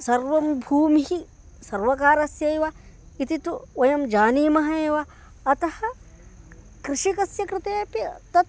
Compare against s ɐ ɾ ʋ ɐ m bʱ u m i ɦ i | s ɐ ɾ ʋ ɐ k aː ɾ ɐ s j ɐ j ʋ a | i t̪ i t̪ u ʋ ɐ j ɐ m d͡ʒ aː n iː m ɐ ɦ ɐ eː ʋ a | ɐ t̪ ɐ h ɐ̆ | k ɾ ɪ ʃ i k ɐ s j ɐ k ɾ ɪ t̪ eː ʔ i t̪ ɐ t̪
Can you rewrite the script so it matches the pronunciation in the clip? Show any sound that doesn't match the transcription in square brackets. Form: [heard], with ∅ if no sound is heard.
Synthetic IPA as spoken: s ɐ ɾ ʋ ɐ m bʱ [uː] m i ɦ i | s ɐ ɾ ʋ ɐ k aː ɾ ɐ s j ɐ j ʋ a | i t̪ i t̪ u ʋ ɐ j ɐ m d͡ʒ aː n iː m ɐ ɦ ɐ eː ʋ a | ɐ t̪ ɐ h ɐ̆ | k ɾ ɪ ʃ i k ɐ s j ɐ k ɾ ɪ t̪ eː [p] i t̪ ɐ t̪